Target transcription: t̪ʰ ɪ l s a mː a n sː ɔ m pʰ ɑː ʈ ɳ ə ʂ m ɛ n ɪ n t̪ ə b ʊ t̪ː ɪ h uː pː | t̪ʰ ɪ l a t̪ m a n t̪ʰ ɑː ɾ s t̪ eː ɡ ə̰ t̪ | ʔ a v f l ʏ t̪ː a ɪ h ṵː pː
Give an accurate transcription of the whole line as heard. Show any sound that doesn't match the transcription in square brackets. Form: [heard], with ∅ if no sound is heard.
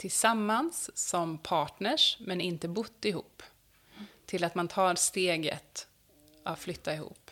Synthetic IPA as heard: t̪ʰ ɪ l s a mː a n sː ɔ m pʰ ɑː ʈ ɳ ə ʂ m ɛ n ɪ n t̪ ə b ʊ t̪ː ɪ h uː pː | t̪ʰ ɪ l a t̪ m a n t̪ʰ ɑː ɾ s t̪ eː ɡ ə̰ t̪ | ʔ a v f l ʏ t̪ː a ɪ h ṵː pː